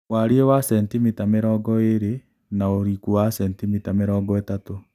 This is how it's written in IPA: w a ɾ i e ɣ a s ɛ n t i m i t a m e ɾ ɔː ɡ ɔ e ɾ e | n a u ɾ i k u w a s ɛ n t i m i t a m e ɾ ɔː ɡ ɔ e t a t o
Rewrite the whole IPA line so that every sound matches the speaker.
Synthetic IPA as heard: w a ɾ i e w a s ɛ n t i m i t a m e ɾ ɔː ɡ ɔ e ɾ e | n a o ɾ i k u w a s ɛ n t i m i t a m e ɾ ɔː ɡ ɔ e t a t o